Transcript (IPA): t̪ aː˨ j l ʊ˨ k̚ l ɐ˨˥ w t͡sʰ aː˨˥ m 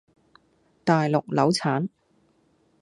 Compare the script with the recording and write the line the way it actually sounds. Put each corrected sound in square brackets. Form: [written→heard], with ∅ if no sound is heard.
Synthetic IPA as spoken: t̪ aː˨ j l ʊ˨ k̚ l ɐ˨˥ w t͡sʰ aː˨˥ [m→n]